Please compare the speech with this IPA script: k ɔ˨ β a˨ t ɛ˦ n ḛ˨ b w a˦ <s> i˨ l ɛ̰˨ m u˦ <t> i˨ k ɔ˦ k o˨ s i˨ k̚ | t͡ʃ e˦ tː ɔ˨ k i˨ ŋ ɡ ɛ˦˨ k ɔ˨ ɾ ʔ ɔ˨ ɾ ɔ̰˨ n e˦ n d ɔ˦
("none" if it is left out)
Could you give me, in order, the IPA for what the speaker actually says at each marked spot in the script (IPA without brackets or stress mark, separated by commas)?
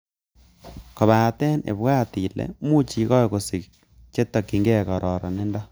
t, t͡ʃ